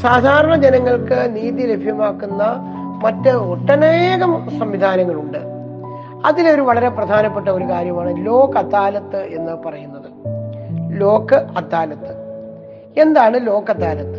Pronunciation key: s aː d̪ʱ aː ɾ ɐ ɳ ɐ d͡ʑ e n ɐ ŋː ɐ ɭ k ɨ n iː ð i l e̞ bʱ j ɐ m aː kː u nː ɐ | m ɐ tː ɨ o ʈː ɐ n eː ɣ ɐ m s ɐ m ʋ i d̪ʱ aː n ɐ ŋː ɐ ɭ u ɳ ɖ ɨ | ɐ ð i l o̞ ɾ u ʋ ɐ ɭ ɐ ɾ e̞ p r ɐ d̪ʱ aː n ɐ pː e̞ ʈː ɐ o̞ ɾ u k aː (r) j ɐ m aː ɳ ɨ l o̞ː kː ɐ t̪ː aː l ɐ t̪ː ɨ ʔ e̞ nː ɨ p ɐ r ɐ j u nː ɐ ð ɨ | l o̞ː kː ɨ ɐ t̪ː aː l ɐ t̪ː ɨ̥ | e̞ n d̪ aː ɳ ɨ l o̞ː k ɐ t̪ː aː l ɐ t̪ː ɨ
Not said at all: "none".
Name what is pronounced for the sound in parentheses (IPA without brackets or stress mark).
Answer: ɾ